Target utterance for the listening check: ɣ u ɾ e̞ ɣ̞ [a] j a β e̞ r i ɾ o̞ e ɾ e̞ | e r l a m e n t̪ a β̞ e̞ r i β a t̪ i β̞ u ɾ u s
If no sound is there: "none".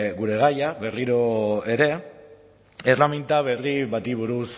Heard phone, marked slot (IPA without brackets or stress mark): a